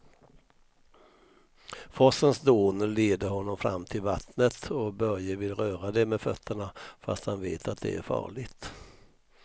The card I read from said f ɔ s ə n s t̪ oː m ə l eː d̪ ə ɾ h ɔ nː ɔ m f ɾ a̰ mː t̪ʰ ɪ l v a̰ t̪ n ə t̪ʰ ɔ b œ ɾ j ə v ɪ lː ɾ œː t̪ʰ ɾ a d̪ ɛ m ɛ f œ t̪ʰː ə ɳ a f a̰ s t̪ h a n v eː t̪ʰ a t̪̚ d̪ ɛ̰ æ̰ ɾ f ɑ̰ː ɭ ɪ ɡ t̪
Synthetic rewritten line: f ɔ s ə n s d̪ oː n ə l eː d̪ ə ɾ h ɔ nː ɔ m f ɾ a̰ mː t̪ʰ ɪ l v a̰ t̪ n ə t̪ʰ ɔ b œ ɾ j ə v ɪ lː ɾ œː ɾ a d̪ ɛ m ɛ f œ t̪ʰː ə ɳ a f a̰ s t̪ h a n v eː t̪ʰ a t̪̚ d̪ ɛ̰ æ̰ ɾ f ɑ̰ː ɭ ɪ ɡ t̪